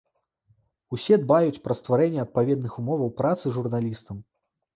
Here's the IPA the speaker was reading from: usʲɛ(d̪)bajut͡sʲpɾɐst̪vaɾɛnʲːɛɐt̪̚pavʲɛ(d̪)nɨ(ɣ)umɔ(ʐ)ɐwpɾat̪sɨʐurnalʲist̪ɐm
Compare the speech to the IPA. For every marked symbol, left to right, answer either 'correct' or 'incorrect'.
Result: correct, correct, incorrect, incorrect

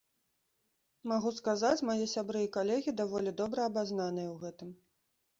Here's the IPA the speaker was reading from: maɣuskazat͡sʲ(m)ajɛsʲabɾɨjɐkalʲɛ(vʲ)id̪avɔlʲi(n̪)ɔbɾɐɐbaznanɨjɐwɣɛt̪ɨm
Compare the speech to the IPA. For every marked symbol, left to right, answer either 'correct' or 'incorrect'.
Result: correct, incorrect, incorrect

